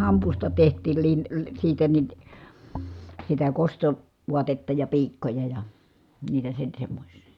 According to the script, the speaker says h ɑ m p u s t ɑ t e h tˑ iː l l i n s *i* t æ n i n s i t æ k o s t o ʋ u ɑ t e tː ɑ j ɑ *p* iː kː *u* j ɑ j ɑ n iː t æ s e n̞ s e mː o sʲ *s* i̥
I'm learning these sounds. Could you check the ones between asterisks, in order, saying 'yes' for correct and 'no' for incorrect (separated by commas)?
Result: no, yes, no, yes